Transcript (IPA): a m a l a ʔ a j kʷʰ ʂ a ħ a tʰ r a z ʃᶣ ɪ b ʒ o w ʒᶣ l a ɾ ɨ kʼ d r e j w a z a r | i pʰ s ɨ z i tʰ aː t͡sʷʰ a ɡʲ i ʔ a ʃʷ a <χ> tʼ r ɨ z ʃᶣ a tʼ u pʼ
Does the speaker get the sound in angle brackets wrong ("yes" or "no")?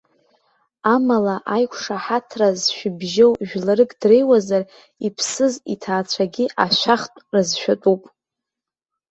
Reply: no